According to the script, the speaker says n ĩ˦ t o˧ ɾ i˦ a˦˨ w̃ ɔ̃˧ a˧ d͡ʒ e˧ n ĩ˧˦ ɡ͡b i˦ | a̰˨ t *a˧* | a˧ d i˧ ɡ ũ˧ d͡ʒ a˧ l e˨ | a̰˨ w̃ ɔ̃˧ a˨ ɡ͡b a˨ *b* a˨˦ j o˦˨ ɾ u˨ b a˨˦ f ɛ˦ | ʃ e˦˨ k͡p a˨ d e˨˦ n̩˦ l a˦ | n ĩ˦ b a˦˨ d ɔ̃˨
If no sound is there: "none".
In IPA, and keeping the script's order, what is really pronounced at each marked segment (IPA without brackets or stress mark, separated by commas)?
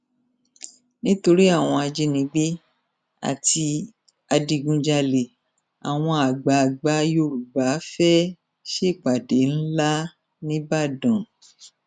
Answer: i˧, ɡ͡b